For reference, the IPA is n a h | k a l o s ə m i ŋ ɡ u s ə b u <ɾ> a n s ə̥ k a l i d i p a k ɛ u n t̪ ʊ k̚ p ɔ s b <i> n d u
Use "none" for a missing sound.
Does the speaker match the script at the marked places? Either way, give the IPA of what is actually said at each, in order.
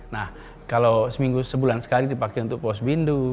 l, i

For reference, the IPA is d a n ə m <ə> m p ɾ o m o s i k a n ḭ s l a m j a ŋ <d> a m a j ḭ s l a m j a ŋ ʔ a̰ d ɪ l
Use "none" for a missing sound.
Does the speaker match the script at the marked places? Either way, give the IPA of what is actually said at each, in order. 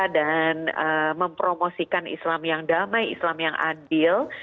ə, d

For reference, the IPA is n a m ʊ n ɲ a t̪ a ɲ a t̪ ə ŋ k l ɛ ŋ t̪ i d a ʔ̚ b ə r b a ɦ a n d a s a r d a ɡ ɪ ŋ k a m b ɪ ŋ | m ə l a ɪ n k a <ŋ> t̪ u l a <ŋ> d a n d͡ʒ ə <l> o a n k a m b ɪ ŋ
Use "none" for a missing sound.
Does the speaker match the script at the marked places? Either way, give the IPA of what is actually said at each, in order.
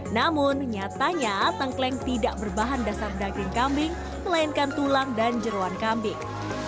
n, ŋ, ɾ

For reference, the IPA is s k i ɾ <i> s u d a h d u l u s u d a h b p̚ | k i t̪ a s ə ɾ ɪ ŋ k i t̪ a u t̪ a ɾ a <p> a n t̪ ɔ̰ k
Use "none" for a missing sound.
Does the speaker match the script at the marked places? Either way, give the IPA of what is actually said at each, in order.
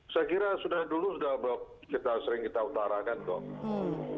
a, k

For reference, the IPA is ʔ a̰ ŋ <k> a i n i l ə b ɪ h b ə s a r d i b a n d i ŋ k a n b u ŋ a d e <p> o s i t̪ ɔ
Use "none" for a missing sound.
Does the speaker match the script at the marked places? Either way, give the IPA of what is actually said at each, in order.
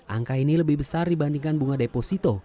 k, p

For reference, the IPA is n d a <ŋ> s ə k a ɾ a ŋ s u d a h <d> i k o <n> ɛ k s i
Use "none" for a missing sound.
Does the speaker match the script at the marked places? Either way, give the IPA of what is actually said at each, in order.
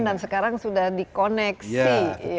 n, d, n

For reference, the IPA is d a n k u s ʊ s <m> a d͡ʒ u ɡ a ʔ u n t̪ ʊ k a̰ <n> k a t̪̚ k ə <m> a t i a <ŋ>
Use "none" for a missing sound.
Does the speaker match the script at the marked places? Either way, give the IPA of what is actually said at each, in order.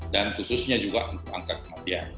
ɲ, ŋ, m, n

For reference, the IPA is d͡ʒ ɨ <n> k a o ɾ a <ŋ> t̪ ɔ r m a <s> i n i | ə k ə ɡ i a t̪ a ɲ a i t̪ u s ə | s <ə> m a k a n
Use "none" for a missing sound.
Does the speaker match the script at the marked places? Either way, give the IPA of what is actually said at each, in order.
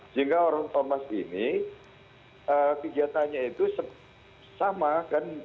ŋ, ŋ, s, a

